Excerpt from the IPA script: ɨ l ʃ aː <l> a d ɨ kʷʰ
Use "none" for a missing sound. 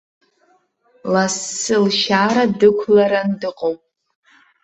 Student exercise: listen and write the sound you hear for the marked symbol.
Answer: ɾ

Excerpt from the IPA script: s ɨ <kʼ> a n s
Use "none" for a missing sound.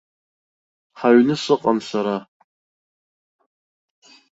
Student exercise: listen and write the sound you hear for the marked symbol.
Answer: qʼ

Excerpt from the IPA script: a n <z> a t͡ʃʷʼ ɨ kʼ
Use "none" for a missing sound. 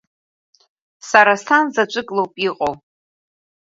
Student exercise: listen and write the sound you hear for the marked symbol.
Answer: z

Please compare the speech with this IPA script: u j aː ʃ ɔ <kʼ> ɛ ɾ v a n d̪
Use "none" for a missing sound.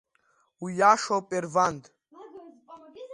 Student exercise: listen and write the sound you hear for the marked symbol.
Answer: pʼ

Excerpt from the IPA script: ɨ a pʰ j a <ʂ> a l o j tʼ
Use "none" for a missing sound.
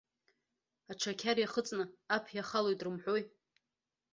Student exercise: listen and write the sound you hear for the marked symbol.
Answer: χ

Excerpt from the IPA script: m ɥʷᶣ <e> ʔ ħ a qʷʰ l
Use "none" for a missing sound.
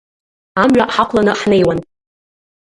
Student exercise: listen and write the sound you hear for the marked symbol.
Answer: a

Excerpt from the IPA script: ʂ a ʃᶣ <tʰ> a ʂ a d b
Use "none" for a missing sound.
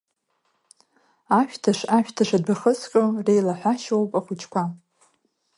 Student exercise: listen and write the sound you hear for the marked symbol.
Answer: tʰ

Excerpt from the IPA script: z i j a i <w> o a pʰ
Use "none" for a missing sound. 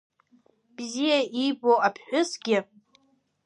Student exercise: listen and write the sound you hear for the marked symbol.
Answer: b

